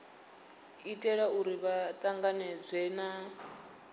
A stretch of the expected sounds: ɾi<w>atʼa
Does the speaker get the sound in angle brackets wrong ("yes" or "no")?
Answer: yes